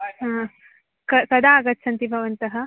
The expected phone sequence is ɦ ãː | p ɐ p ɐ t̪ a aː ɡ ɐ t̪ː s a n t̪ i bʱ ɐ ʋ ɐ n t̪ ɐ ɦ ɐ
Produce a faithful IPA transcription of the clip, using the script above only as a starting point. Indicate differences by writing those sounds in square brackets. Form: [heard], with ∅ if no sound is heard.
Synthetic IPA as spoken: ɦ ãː | [k] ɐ [k] ɐ [d̪] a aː ɡ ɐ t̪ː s [ɐ] n t̪ i bʱ ɐ ʋ ɐ n t̪ ɐ ɦ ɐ